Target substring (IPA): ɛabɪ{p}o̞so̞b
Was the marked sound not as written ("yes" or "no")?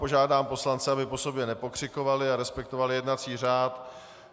no